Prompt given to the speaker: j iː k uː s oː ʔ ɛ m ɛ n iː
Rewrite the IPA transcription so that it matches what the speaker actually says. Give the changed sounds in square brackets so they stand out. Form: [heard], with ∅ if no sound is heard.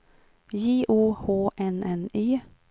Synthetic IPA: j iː [ʔ] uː [h] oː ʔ ɛ [n] ɛ n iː